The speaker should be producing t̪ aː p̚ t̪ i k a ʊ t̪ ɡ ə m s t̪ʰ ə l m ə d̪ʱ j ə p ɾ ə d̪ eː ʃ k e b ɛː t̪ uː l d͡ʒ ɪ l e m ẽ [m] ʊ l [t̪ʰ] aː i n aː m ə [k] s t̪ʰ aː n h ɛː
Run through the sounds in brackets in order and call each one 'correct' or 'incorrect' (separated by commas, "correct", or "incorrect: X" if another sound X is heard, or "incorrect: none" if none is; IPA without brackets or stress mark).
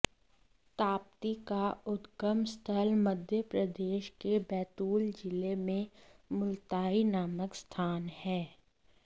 correct, incorrect: t̪, correct